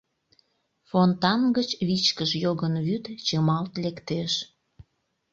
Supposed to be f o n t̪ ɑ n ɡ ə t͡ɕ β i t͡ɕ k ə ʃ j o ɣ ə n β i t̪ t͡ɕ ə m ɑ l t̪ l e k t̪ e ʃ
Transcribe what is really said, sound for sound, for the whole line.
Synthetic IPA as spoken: f o n t̪ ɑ n ɡ ə t͡ɕ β i t͡ɕ k ə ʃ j o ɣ ə n β y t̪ t͡ɕ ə m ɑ l t̪ l e k t̪ e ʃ